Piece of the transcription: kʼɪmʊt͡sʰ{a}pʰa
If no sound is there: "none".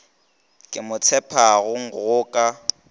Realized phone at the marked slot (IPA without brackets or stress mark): ɛ